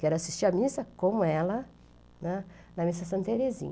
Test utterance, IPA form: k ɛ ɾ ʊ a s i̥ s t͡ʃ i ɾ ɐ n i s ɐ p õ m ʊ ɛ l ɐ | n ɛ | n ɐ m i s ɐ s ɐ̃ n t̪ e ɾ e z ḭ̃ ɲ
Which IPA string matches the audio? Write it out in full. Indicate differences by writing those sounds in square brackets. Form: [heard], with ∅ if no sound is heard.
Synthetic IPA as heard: k ɛ ɾ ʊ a s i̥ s t͡ʃ i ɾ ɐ [m] i s ɐ [k] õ m ʊ ɛ l ɐ | n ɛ | n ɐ m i s ɐ s ɐ̃ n t̪ e ɾ e z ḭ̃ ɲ